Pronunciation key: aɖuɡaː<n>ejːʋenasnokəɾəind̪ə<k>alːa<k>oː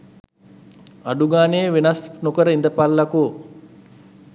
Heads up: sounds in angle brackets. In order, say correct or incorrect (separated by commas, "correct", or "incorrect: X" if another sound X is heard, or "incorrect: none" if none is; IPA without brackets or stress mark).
correct, incorrect: p, correct